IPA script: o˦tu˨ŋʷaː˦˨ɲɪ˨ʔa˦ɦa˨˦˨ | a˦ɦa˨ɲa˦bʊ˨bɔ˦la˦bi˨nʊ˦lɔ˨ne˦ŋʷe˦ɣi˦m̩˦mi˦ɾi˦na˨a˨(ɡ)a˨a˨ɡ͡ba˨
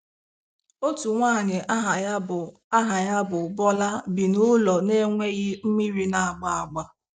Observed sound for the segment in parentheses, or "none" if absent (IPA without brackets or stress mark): ɡ͡b